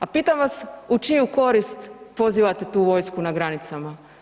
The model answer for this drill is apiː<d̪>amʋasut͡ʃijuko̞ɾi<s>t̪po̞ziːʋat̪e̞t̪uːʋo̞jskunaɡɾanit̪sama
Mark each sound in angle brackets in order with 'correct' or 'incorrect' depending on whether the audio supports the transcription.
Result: incorrect, correct

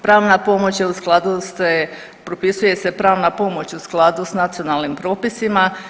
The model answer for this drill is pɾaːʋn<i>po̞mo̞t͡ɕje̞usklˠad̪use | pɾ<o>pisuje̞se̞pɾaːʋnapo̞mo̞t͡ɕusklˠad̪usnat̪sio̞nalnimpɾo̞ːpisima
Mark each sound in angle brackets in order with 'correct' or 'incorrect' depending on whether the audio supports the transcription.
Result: incorrect, correct

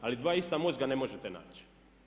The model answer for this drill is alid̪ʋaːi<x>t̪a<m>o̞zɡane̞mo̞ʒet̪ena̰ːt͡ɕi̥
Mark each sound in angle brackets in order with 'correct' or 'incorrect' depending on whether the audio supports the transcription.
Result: incorrect, correct

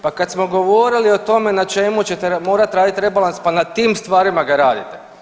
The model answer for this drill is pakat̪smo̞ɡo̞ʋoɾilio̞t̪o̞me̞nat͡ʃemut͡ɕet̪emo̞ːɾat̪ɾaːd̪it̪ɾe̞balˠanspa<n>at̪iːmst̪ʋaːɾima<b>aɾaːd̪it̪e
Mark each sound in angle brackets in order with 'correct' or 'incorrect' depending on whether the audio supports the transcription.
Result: correct, incorrect

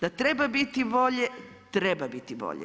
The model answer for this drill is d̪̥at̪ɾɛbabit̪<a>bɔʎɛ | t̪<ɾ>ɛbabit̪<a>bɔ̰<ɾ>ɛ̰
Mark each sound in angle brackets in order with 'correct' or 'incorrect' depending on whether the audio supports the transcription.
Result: incorrect, correct, incorrect, incorrect

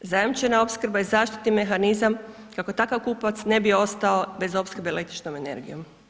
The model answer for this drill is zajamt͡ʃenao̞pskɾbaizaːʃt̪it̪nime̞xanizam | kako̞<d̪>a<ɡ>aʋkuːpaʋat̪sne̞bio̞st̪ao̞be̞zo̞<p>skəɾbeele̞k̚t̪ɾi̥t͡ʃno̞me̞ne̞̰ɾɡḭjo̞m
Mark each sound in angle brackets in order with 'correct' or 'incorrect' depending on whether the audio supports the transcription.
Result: incorrect, incorrect, correct

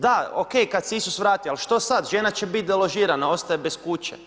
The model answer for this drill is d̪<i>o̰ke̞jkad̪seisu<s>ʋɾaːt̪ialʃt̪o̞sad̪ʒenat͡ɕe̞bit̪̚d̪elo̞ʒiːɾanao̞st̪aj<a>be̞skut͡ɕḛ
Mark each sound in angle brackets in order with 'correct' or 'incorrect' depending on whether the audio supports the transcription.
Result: incorrect, correct, incorrect

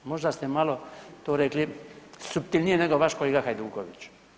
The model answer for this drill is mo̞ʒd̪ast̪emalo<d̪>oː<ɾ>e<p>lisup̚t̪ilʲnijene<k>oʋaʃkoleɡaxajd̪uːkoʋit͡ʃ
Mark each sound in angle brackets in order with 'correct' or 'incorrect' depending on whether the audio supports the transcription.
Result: incorrect, correct, incorrect, incorrect

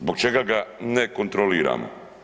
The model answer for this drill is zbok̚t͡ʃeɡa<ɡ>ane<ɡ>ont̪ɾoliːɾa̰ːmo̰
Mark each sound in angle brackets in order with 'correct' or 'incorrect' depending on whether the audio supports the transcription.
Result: correct, incorrect

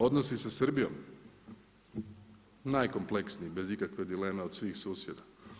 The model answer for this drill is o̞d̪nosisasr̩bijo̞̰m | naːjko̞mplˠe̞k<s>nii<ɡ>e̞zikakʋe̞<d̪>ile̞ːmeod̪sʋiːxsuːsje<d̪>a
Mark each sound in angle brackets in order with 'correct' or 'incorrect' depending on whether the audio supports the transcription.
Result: correct, incorrect, correct, correct

